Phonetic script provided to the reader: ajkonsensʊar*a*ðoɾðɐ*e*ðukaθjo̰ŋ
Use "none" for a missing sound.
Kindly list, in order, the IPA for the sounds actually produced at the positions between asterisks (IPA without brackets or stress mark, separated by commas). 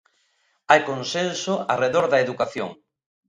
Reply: e, e